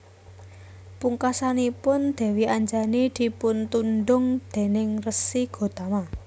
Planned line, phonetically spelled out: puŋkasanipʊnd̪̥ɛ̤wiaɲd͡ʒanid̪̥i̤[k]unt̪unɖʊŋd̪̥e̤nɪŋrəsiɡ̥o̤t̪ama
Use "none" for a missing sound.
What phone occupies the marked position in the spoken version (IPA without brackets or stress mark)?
p